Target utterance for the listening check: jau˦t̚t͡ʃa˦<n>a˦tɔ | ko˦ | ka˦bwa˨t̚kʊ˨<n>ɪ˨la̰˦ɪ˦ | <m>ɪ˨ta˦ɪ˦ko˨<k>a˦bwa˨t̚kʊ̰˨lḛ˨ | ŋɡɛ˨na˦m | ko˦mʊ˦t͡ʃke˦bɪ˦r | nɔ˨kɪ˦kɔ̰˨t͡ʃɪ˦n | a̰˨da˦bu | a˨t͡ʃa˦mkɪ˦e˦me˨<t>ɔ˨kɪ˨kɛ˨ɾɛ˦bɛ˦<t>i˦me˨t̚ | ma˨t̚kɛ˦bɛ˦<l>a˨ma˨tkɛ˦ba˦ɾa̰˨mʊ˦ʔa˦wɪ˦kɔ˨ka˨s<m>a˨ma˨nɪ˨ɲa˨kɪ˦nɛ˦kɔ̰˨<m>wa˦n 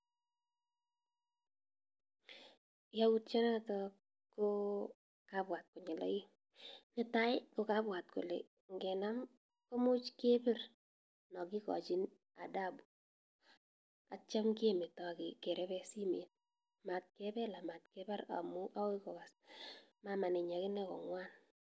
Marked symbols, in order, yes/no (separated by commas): yes, no, no, yes, yes, no, yes, yes, no